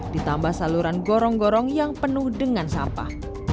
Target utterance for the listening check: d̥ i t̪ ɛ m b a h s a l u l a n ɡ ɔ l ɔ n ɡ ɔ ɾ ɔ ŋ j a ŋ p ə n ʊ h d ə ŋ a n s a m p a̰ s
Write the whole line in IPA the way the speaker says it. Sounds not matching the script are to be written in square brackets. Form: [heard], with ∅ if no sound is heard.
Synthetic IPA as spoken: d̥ i t̪ [a] m b a h s a l u [ɾ] a n ɡ ɔ [ɾ] ɔ [ŋ] ɡ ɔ ɾ ɔ ŋ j a ŋ p ə n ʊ h d ə ŋ a n s a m p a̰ [h]

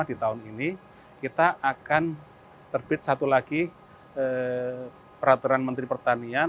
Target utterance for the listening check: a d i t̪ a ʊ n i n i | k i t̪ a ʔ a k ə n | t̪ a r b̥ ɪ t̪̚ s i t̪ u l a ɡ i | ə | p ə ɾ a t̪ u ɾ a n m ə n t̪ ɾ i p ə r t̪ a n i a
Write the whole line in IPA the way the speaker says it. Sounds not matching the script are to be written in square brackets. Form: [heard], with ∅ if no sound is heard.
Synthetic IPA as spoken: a d i t̪ a ʊ n i n i | k i t̪ a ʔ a k [a] n | t̪ [ə] r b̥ ɪ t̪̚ s [a] t̪ u l a ɡ i | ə | p ə ɾ a t̪ u ɾ a n m ə n t̪ ɾ i p ə r t̪ a n i a

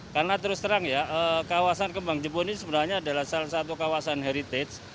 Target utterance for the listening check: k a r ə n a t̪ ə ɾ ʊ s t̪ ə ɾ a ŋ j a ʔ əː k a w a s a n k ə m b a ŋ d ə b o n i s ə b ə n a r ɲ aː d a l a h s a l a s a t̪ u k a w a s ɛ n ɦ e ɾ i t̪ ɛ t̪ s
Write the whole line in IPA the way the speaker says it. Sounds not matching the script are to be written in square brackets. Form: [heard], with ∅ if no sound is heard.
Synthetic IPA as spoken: k a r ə n a t̪ ə ɾ ʊ s t̪ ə ɾ a ŋ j a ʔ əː k a w a s a n k ə m b a ŋ [d͡ʒ] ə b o n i s ə b ə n a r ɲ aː d a l a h s a l a s a t̪ u k a w a s [a] n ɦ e ɾ i t̪ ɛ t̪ s

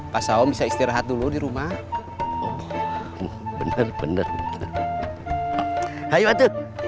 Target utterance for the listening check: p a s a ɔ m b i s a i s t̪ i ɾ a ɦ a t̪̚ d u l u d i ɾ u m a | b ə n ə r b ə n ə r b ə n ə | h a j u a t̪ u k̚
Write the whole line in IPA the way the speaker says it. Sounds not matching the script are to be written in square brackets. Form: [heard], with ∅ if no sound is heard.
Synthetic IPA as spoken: p a s a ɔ m b i s a i s t̪ i ɾ a ɦ a t̪̚ d u l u d i ɾ u m a | b ə n ə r b ə n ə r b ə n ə | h a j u a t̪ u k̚

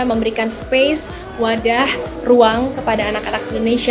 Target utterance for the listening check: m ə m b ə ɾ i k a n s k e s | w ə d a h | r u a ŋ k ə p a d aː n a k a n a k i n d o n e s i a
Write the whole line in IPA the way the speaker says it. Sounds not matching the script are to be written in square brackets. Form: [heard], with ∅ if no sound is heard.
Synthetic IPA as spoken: m ə m b ə ɾ i k a n s [p] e s | w [a] d a h | r u a ŋ k ə p a d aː n a k a n a k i n d o n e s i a

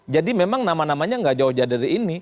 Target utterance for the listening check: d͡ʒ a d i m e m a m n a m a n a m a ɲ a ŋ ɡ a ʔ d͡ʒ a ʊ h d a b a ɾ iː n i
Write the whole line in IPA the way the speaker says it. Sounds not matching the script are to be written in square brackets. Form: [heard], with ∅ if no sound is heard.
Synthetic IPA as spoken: d͡ʒ a d i m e m a [ŋ] n a m a n a m a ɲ a ŋ ɡ a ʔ d͡ʒ a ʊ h [d͡ʒ] a [d] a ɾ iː n i

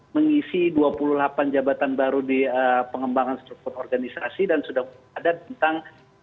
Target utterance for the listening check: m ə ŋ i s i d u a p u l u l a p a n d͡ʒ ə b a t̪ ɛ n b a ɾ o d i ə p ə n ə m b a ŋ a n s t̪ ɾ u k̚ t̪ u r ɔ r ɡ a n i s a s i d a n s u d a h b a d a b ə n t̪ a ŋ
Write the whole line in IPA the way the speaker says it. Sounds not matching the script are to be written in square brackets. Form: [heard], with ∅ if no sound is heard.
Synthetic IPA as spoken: m ə ŋ i s i d u a p u l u l a p a n d͡ʒ [a] b a t̪ [a] n b a ɾ [u] d i ə p ə [ŋ] ə m b a ŋ a n s t̪ ɾ u k̚ t̪ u r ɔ r ɡ a n i s a s i d a n s u d a h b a d a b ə n t̪ a ŋ

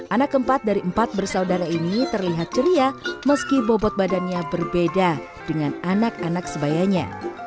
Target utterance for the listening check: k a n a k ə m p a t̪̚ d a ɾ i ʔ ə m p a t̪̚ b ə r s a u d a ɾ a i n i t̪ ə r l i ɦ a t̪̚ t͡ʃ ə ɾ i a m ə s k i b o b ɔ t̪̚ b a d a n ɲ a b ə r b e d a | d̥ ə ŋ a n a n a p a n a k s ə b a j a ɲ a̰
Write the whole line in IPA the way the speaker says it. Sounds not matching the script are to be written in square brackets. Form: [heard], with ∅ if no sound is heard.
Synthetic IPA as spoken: [ʔ] a n a k ə m p a t̪̚ d a ɾ i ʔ ə m p a t̪̚ b ə r s a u d a ɾ a i n i t̪ ə r l i ɦ a t̪̚ t͡ʃ ə ɾ i a m ə s k i b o b ɔ t̪̚ b a d a n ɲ a b ə r b e d a | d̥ ə ŋ a n a n a [k] a n a k s ə b a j a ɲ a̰

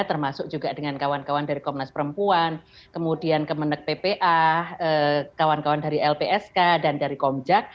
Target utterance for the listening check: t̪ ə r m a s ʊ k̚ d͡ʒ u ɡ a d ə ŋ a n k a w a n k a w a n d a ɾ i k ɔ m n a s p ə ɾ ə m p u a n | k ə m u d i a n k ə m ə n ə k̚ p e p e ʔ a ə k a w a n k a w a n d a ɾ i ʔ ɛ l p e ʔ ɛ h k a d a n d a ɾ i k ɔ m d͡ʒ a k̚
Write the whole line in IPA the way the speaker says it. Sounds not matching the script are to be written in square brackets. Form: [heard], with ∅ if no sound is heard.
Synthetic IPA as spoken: t̪ ə r m a s ʊ k̚ d͡ʒ u ɡ a d ə ŋ a n k a w a n k a w a n d a ɾ i k ɔ m n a s p ə ɾ ə m p u a n | k ə m u d i a n k ə m ə n ə k̚ p e p e ʔ a ə k a w a n k a w a n d a ɾ i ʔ ɛ l p e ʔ ɛ [s] k a d a n d a ɾ i k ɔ m d͡ʒ a k̚

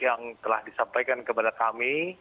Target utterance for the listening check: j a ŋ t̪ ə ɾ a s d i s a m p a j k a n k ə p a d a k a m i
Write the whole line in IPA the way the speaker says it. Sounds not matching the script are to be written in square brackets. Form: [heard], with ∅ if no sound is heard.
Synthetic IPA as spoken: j a ŋ t̪ ə [l] a [h] d i s a m p a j k a n k ə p a d a k a m i

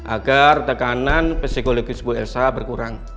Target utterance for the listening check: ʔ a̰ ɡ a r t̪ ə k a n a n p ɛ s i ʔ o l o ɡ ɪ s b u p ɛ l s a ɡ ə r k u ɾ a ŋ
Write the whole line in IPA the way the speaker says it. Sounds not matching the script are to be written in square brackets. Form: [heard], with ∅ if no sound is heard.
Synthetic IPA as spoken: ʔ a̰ ɡ a r t̪ ə k a n a n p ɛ s i [k] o l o ɡ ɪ s b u [∅] ɛ l s a [b] ə r k u ɾ a ŋ

